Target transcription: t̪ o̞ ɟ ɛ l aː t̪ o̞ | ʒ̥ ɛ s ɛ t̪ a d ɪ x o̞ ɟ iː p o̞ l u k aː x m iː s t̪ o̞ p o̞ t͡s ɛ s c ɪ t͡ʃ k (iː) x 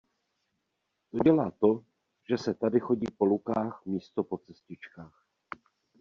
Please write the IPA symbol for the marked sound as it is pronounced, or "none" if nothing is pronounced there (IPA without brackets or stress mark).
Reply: aː